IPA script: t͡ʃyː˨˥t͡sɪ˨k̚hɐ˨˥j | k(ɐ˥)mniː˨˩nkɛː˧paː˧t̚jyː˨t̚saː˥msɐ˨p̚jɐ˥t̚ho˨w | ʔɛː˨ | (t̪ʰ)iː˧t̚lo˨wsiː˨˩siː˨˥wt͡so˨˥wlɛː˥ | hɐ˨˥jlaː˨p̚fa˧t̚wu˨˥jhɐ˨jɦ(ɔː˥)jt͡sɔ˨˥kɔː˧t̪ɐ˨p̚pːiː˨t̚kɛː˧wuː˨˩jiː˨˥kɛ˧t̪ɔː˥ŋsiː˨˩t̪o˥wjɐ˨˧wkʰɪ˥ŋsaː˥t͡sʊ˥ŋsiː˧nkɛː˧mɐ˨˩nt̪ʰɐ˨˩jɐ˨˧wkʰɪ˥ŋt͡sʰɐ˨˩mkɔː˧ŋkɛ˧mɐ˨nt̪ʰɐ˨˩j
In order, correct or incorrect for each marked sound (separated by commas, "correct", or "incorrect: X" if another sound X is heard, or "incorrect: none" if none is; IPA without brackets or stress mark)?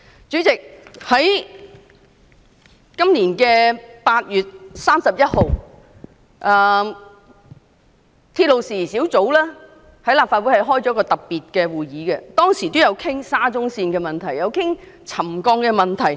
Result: correct, correct, correct